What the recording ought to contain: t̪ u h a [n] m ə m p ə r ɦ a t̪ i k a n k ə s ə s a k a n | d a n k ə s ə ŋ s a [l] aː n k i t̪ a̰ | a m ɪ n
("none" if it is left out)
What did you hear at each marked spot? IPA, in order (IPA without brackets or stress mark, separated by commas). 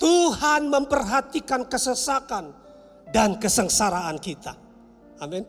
n, ɾ